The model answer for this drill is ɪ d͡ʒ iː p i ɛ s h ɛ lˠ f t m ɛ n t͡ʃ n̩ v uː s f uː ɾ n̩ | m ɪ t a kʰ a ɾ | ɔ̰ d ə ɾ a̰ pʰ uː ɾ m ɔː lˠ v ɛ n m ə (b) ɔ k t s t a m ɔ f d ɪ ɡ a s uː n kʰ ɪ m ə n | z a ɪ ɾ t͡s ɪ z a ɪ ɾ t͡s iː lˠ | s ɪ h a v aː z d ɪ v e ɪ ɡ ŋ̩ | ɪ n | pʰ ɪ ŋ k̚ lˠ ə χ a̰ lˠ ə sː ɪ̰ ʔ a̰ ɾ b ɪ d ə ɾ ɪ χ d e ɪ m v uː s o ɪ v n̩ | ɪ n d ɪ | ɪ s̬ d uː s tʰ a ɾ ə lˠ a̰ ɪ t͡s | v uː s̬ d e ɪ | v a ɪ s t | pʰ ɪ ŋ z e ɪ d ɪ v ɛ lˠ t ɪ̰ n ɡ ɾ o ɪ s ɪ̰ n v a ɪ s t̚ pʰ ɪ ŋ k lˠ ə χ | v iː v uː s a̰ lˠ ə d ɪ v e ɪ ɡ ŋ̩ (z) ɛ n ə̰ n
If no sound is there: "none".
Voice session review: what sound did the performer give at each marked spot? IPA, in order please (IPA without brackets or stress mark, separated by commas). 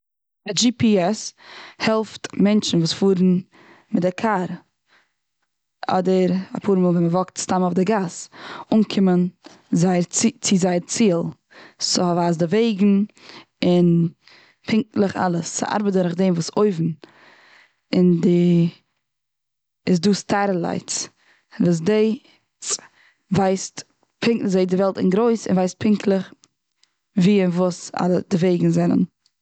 v, z